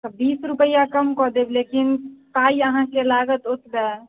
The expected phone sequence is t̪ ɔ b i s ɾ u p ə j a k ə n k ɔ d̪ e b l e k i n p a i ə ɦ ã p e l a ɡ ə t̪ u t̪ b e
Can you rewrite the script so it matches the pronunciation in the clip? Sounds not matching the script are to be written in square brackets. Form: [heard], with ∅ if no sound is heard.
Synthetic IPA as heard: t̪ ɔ b i s ɾ u p ə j a k ə [m] k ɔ d̪ e b l e k i n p a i ə ɦ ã [k] e l a ɡ ə t̪ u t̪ b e